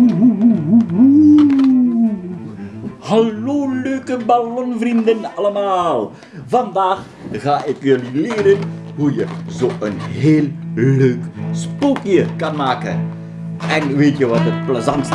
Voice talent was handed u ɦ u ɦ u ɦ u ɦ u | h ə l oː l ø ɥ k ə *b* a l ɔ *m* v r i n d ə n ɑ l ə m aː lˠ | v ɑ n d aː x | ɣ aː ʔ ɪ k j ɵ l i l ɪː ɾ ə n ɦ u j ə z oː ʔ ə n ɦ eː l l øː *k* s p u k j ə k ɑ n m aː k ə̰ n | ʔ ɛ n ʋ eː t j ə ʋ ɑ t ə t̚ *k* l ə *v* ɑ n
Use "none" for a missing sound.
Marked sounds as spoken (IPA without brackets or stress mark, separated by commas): b, n, k, p, z